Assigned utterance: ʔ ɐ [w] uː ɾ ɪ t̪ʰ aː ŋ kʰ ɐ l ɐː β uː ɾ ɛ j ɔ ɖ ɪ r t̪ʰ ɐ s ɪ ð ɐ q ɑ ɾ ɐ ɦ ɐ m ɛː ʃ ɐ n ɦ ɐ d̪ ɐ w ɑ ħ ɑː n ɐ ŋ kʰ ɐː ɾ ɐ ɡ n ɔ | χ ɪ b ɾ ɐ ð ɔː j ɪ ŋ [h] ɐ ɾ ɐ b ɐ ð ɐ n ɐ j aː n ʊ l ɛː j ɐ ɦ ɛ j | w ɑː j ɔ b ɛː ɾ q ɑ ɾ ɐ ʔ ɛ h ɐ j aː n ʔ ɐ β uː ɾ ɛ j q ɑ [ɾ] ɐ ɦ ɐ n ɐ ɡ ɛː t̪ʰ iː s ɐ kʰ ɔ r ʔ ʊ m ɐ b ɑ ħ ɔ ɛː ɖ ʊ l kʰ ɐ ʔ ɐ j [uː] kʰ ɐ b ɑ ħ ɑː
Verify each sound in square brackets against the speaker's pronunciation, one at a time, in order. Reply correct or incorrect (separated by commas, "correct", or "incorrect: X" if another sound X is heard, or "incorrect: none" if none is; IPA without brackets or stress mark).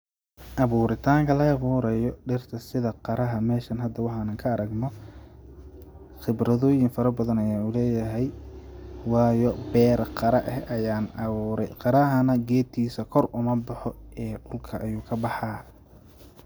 incorrect: β, incorrect: f, correct, correct